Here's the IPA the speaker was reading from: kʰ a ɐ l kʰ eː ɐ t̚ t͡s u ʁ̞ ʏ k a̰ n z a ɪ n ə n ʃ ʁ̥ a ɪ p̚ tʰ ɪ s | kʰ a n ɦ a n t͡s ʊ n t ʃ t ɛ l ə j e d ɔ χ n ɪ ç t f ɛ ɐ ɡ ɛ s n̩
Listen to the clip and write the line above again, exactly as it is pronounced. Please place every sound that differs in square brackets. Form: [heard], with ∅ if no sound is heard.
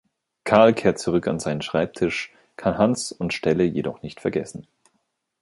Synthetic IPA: kʰ a ɐ l kʰ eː ɐ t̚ t͡s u ʁ̞ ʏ k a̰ n z a ɪ n ə n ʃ ʁ̥ a ɪ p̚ tʰ ɪ [ʃ] | kʰ a n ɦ a n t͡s ʊ n t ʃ t ɛ l ə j e d ɔ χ n ɪ ç t f ɛ ɐ ɡ ɛ s n̩